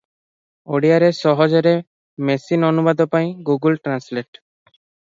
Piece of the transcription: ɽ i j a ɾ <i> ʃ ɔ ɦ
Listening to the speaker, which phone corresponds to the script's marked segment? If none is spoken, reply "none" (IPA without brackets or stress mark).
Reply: e